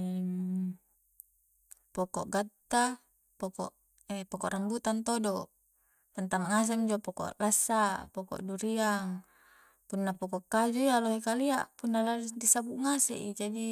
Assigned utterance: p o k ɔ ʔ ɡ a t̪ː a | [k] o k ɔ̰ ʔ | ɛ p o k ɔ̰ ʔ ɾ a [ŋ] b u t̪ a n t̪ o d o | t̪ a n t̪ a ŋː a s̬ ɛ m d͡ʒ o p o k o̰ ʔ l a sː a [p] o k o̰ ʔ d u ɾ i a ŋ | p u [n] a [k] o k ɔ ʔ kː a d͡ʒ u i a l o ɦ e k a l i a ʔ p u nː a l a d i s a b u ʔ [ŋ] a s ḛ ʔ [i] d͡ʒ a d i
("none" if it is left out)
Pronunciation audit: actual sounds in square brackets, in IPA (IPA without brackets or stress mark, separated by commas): p, m, p, nː, p, ŋ, i